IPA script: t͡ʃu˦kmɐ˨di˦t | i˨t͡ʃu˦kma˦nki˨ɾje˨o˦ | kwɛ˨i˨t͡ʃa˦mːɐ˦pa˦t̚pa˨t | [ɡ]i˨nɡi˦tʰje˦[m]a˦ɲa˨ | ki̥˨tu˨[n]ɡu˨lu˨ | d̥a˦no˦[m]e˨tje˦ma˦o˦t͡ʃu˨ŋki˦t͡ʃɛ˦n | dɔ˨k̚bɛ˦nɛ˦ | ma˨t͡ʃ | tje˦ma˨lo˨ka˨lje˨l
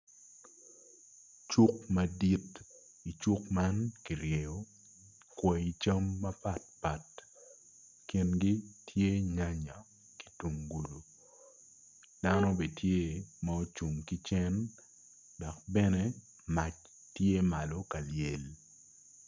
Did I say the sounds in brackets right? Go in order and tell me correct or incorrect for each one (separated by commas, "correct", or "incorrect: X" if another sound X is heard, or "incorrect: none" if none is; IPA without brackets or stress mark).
incorrect: k, incorrect: ɲ, incorrect: ŋ, incorrect: b